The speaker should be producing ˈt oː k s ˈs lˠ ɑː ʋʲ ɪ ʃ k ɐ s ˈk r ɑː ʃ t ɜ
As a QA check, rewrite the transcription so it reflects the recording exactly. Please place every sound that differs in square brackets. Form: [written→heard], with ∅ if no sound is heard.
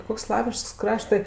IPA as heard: [ˈt→ˈk] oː k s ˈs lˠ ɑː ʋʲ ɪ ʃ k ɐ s ˈk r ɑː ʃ t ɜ